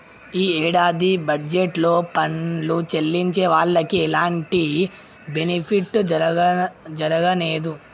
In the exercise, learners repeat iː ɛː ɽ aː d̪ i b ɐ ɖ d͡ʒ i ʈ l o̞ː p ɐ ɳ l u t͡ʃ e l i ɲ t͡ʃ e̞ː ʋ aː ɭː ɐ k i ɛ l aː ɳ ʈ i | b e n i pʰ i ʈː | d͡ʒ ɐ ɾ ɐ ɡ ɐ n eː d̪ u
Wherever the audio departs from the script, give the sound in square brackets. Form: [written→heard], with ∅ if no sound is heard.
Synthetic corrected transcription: iː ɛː ɽ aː d̪ i b ɐ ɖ d͡ʒ [i→e] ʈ l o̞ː p ɐ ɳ l u t͡ʃ e [l→lː] i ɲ t͡ʃ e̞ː ʋ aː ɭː ɐ k i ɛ l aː ɳ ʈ i | b e n i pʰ i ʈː | d͡ʒ ɐ ɾ ɐ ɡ ɐ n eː d̪ u